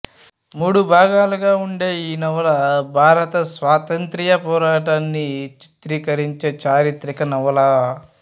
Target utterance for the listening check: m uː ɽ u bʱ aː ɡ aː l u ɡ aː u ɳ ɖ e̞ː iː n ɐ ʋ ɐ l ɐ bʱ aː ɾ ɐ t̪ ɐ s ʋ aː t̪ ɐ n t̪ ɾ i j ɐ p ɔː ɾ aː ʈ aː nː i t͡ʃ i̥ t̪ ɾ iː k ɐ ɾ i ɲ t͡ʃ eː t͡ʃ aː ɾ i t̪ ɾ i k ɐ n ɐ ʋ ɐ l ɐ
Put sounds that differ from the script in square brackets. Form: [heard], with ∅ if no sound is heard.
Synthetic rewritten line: m uː ɽ u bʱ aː ɡ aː l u ɡ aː u ɳ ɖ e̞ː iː n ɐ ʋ ɐ l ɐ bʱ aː ɾ ɐ t̪ ɐ s ʋ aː t̪ ɐ n t̪ ɾ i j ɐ p ɔː ɾ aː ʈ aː nː i t͡ʃ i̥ t̪ ɾ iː k ɐ ɾ i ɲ t͡ʃ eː t͡ʃ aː ɾ i t̪ ɾ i k ɐ n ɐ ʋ ɐ l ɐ